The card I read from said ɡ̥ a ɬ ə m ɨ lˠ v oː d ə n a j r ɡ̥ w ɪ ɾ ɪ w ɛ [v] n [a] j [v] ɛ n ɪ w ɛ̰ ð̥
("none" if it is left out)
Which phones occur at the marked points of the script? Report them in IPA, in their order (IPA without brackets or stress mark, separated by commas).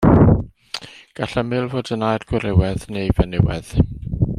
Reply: ð, e, v